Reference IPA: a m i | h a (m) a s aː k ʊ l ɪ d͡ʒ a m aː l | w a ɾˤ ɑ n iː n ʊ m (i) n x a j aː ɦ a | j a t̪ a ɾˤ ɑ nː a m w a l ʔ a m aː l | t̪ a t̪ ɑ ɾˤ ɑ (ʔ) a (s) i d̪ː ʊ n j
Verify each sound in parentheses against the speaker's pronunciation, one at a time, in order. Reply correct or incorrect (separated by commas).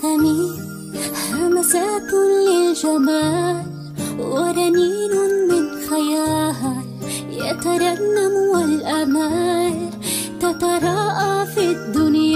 correct, incorrect, correct, incorrect